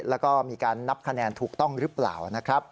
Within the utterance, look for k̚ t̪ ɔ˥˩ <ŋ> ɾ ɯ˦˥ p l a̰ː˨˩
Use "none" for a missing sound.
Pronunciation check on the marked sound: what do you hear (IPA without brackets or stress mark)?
ŋ